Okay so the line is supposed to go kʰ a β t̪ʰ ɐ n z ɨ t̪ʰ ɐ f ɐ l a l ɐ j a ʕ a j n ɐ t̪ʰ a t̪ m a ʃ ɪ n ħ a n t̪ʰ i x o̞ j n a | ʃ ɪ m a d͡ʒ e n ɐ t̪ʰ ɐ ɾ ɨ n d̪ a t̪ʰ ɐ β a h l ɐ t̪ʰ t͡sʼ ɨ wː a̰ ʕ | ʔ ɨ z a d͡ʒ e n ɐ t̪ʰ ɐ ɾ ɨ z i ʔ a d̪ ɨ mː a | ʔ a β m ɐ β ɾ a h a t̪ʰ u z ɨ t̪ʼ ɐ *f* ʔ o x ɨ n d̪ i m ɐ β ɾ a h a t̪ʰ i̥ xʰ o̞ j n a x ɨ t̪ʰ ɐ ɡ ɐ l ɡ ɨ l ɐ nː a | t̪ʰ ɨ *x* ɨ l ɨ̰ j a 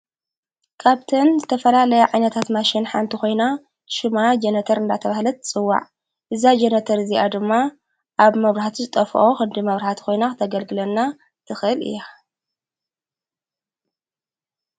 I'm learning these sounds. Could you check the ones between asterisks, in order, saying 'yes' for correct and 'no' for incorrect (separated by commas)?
yes, yes